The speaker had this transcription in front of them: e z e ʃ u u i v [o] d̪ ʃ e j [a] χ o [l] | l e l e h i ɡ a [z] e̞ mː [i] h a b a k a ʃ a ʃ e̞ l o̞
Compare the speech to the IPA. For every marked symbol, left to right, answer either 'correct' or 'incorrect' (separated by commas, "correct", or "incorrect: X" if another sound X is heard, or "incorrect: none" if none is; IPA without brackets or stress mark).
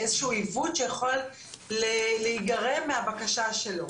incorrect: u, correct, correct, incorrect: ʁ, incorrect: e